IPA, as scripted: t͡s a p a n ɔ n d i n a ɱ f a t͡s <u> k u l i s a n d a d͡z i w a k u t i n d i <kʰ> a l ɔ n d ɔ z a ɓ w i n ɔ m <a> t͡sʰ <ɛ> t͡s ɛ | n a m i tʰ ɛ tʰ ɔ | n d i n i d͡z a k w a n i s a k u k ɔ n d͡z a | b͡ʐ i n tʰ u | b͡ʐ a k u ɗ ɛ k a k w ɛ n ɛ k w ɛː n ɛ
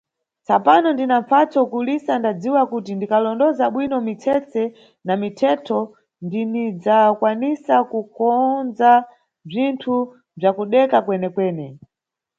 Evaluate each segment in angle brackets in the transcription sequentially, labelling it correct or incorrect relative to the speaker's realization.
incorrect: ɔ, incorrect: k, incorrect: i, correct

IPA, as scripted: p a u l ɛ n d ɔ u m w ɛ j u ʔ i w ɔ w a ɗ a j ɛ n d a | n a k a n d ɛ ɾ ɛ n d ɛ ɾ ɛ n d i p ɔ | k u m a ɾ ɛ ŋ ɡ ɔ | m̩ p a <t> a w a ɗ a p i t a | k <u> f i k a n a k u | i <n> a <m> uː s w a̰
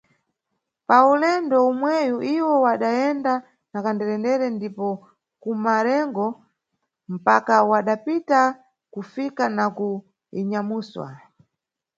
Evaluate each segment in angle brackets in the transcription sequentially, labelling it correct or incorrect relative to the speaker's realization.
incorrect: k, correct, incorrect: ɲ, correct

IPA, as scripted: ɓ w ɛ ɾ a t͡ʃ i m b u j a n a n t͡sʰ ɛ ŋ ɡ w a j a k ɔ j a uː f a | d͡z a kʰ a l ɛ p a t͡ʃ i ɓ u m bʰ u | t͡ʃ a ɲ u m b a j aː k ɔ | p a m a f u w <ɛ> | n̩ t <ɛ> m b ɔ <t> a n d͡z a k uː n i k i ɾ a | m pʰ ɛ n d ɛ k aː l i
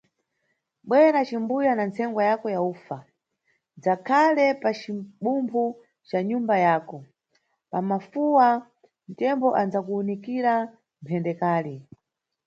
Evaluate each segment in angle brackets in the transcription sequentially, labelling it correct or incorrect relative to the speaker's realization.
incorrect: a, correct, incorrect: ʔ

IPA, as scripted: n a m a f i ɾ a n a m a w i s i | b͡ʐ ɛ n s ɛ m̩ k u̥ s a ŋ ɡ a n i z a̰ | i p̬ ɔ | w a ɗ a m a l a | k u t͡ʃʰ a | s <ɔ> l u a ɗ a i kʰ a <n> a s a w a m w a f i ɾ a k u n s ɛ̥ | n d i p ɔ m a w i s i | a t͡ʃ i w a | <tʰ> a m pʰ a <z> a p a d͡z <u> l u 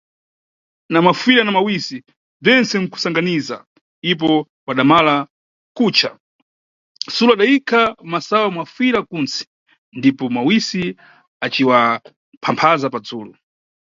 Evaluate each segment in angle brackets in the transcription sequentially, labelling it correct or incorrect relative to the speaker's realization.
incorrect: u, incorrect: m, incorrect: pʰ, correct, incorrect: uː

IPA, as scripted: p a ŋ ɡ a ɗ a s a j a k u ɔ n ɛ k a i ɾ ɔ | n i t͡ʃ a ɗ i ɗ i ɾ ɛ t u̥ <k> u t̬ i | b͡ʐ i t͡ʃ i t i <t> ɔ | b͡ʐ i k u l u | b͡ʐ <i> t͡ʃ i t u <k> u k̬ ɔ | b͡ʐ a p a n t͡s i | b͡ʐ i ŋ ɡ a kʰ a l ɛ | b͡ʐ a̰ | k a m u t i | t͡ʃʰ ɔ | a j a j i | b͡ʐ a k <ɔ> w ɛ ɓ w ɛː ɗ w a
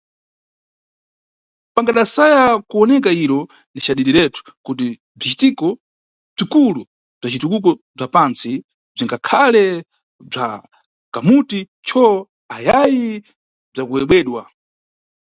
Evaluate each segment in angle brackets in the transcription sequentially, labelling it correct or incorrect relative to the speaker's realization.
correct, incorrect: k, incorrect: a, correct, incorrect: u

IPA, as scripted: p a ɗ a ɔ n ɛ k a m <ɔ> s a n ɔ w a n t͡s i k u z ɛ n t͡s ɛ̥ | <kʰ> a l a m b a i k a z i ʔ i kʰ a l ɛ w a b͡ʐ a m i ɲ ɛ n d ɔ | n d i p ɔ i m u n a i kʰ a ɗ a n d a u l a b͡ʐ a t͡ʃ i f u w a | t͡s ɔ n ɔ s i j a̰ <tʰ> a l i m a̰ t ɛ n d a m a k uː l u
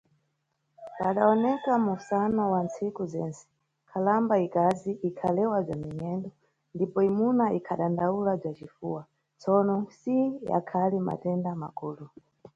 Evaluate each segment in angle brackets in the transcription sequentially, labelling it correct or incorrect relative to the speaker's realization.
incorrect: u, correct, incorrect: kʰ

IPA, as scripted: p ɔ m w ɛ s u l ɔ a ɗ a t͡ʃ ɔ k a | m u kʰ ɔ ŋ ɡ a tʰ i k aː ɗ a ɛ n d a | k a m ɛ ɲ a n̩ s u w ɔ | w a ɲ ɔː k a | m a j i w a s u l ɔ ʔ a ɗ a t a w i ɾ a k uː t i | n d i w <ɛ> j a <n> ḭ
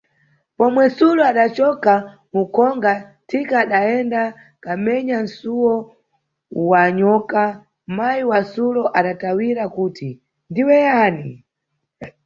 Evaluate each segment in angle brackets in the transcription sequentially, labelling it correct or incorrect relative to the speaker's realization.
correct, correct

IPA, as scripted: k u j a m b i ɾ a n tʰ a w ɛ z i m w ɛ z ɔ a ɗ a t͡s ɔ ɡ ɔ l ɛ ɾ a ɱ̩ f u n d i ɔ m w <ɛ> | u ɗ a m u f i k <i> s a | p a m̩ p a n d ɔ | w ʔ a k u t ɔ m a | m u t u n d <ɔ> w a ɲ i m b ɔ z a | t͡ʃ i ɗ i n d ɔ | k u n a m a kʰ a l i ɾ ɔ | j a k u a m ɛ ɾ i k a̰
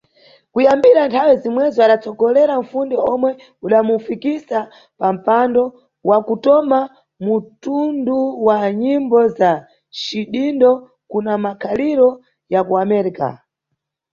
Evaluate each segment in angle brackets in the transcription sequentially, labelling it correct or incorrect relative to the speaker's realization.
correct, correct, incorrect: u

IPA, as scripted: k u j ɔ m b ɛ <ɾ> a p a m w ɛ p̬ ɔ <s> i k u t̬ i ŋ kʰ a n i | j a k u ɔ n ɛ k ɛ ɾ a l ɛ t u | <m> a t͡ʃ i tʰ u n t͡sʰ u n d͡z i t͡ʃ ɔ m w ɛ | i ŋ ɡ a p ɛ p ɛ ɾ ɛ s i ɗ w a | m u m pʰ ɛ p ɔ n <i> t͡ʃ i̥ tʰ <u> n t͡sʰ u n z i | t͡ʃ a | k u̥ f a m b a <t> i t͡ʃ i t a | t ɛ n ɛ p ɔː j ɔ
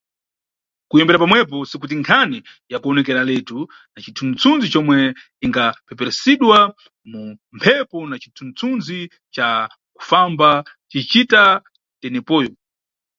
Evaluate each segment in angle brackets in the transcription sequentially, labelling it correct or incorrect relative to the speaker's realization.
correct, correct, incorrect: n, incorrect: a, correct, incorrect: t͡ʃ

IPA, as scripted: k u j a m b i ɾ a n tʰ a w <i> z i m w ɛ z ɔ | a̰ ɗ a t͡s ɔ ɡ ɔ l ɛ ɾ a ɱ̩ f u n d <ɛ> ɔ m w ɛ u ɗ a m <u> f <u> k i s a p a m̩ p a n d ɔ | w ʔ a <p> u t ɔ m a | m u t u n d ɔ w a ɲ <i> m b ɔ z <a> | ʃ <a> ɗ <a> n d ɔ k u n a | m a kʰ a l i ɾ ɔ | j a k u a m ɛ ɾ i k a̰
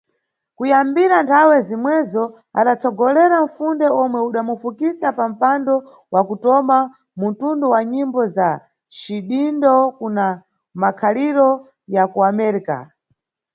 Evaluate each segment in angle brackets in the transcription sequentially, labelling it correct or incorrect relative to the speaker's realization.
incorrect: ɛ, correct, correct, correct, incorrect: k, correct, correct, incorrect: i, incorrect: i

